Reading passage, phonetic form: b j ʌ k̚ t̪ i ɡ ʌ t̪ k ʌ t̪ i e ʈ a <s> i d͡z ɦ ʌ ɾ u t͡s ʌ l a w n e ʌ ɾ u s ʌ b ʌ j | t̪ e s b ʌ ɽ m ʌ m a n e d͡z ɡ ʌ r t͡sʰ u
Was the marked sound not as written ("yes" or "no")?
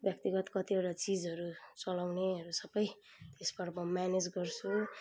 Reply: yes